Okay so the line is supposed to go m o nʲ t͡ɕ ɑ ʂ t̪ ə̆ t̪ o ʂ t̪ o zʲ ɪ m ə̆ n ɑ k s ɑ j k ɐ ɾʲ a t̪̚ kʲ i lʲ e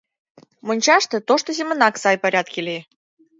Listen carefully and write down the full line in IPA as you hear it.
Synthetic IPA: m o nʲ t͡ɕ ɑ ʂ t̪ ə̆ t̪ o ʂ t̪ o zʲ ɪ m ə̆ n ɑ k s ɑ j p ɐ ɾʲ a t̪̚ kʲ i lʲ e